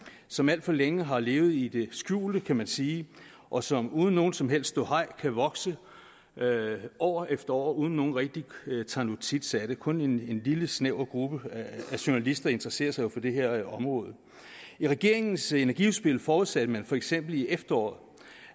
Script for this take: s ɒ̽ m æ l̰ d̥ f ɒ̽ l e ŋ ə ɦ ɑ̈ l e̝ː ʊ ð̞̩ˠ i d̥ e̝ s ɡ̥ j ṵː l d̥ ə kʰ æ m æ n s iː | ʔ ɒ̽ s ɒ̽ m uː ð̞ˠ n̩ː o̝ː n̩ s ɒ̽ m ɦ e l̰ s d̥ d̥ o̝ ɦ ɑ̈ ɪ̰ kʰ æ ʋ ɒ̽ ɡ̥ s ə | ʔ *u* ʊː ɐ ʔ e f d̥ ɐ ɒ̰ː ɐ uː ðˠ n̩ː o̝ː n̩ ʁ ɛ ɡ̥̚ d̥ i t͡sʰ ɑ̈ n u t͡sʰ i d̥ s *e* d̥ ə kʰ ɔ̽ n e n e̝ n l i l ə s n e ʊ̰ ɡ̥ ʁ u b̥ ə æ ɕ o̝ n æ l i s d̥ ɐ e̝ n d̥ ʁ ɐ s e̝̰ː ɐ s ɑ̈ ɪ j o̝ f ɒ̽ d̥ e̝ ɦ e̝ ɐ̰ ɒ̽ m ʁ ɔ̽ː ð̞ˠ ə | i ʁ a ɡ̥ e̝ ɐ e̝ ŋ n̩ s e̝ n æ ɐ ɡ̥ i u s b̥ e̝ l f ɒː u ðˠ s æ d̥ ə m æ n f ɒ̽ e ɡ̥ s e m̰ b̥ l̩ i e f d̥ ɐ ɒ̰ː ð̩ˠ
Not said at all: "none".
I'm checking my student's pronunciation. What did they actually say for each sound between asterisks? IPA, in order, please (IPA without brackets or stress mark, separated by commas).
ɒ, æ